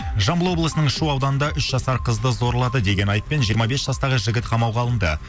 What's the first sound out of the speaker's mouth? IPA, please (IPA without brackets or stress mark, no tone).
ʒ